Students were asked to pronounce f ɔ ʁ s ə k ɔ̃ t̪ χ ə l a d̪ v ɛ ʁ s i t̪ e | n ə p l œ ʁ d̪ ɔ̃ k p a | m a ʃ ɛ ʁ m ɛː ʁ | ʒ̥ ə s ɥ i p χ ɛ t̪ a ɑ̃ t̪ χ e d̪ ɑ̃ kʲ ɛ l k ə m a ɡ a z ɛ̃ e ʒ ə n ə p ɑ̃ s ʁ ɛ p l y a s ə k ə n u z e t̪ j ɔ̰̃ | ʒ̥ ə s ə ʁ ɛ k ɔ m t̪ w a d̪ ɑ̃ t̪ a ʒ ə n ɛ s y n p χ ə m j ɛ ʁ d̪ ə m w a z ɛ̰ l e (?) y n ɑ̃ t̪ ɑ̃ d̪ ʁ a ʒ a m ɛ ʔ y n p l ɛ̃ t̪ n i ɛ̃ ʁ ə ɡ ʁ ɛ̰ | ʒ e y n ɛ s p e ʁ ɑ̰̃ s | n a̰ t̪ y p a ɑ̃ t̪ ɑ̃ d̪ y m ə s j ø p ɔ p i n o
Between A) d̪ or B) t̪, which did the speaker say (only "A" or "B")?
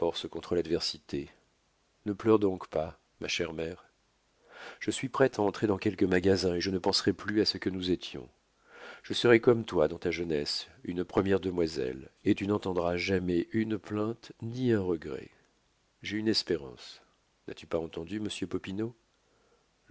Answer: B